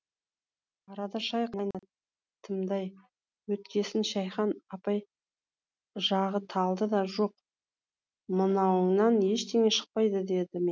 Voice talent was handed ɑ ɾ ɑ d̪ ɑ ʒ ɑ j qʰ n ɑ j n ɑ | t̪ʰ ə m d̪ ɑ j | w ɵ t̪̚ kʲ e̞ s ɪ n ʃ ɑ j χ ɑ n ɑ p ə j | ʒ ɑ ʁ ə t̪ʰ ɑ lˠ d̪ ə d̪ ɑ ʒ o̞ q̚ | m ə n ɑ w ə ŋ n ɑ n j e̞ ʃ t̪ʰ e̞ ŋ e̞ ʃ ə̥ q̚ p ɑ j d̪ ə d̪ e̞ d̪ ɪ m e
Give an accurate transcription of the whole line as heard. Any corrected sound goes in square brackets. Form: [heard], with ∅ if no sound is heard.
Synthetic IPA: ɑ ɾ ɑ d̪ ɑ [ʃ] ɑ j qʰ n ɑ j n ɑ | t̪ʰ ə m d̪ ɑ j | w ɵ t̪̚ kʲ e̞ s ɪ n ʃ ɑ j χ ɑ n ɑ p [ɑ] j | ʒ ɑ ʁ ə t̪ʰ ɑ lˠ d̪ ə d̪ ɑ ʒ o̞ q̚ | m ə n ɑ w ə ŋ n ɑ n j e̞ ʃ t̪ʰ e̞ ŋ e̞ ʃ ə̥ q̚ p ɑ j d̪ ə d̪ e̞ d̪ ɪ m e